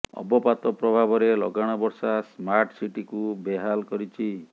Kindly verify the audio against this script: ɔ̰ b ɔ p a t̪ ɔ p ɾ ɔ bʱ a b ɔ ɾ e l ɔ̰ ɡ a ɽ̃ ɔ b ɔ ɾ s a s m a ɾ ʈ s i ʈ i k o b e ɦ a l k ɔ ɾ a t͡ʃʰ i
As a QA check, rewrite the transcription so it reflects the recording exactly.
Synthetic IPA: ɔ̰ b ɔ p a t̪ ɔ p ɾ ɔ bʱ a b ɔ ɾ e l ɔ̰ ɡ a ɽ̃ ɔ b ɔ ɾ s a s m a ɾ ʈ s i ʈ i k u b e ɦ a l k ɔ ɾ i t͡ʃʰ i